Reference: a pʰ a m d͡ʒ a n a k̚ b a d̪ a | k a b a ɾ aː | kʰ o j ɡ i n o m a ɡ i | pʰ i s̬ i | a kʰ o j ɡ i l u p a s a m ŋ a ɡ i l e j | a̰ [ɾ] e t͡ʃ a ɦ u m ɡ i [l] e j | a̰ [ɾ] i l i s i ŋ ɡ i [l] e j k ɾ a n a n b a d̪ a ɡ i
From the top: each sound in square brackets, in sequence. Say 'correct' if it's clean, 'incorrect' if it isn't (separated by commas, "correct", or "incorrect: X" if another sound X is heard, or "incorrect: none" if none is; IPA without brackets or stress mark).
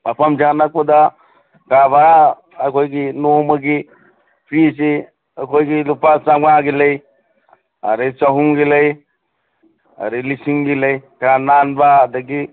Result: correct, correct, correct, correct